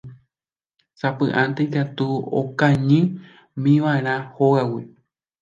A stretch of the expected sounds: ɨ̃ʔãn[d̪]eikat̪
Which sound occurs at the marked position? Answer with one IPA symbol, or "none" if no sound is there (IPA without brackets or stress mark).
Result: t̪